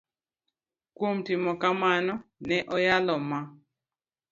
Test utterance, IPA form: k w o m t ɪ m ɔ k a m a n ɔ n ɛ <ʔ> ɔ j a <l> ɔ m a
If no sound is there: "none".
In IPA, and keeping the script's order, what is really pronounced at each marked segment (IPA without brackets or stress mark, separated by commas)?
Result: ʔ, l